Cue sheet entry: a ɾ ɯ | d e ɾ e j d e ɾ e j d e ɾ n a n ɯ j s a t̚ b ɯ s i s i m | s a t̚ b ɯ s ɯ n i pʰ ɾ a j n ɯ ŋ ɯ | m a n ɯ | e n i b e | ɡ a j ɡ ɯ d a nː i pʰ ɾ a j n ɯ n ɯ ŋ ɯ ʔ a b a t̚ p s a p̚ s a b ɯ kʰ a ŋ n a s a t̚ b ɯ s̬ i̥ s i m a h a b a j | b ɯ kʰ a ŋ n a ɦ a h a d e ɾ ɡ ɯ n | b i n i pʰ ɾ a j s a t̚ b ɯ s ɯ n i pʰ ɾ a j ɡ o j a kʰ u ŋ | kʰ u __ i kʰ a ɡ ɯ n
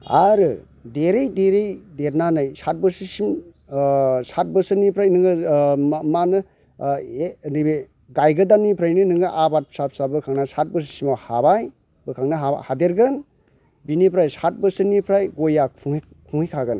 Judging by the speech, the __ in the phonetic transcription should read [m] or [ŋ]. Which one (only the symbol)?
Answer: ŋ